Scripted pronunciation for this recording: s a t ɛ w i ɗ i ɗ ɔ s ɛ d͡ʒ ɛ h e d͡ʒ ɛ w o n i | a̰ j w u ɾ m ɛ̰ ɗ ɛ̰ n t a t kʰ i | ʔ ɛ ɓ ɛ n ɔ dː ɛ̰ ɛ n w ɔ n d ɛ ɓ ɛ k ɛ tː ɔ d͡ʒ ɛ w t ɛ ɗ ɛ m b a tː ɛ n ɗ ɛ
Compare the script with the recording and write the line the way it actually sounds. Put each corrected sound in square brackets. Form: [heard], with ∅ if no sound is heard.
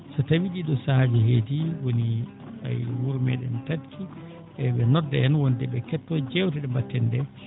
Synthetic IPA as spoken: s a t [a] w i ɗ i ɗ ɔ s [a] d͡ʒ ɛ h e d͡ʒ [i] w o n i | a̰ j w u ɾ m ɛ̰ ɗ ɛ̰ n t a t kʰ i | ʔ ɛ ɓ ɛ n ɔ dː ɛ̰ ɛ n w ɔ n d ɛ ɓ ɛ k ɛ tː ɔ d͡ʒ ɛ w t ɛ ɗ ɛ m b a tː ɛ n [d] ɛ